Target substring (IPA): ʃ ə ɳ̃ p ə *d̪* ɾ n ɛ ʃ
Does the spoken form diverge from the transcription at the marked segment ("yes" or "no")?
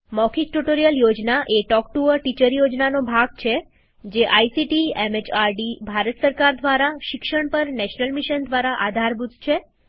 yes